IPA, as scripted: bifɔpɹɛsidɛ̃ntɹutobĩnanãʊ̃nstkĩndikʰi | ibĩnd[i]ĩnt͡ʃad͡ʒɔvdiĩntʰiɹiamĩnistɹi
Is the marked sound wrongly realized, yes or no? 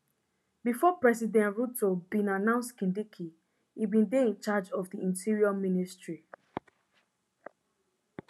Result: yes